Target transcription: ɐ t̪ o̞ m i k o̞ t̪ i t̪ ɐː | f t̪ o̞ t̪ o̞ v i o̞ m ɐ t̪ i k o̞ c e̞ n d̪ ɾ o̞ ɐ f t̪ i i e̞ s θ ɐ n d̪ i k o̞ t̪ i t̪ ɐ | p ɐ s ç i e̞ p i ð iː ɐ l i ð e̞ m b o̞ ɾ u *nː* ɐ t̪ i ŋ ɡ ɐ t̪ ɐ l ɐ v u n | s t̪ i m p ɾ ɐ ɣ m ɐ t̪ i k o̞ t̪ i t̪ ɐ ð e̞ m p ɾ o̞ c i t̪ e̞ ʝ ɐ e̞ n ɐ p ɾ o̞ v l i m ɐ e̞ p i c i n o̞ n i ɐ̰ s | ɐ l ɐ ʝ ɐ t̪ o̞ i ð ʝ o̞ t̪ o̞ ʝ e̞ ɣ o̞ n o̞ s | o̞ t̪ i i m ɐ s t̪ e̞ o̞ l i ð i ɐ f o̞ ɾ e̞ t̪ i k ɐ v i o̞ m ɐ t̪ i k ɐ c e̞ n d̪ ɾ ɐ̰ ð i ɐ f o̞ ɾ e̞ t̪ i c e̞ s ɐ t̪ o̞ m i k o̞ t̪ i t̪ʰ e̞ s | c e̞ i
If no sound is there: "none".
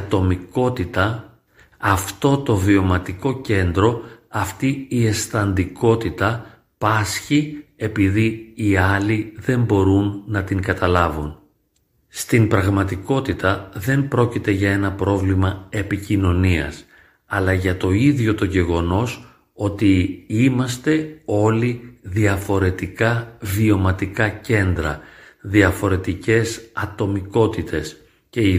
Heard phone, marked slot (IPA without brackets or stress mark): nː